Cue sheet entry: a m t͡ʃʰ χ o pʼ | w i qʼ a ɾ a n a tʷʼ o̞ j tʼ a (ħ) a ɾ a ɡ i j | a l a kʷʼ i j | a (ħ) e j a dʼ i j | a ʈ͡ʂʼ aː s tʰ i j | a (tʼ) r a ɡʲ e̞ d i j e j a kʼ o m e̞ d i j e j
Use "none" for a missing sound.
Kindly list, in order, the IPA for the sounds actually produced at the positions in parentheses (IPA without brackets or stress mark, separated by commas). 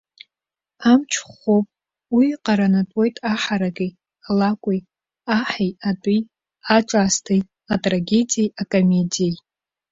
ħ, ħ, tʼ